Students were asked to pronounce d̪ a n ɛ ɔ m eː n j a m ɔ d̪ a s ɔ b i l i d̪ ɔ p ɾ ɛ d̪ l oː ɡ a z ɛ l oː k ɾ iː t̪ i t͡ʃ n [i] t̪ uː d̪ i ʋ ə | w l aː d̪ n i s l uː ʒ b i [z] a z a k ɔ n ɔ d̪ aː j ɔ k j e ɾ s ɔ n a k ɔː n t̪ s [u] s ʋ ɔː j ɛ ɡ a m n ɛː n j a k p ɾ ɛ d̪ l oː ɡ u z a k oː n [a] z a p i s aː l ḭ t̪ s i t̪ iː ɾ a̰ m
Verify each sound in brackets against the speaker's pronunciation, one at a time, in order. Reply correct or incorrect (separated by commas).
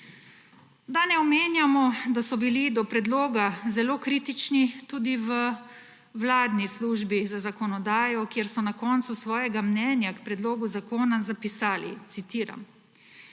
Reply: correct, correct, correct, correct